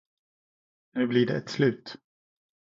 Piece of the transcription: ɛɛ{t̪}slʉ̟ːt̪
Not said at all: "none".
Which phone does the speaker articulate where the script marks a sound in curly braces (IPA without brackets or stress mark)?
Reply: t̪